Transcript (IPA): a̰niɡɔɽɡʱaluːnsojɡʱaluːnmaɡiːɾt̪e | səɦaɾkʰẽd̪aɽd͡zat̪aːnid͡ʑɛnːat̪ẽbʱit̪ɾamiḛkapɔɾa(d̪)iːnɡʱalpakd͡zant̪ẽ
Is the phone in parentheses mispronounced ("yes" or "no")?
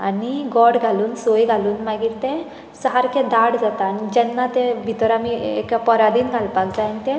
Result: no